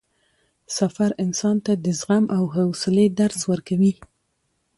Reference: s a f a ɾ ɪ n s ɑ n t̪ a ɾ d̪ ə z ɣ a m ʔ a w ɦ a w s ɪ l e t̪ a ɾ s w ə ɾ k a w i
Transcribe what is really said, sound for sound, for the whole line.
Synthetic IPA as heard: s a f a ɾ ɪ n s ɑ n t̪ a d̪ ə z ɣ a m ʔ a w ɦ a w s ɪ l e d̪ a ɾ s w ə ɾ k a w i